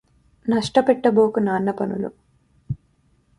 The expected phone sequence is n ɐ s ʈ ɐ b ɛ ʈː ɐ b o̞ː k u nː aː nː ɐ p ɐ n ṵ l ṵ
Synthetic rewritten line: n ɐ ʂ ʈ ɐ p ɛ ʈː ɐ b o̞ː k u n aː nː ɐ p ɐ n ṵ l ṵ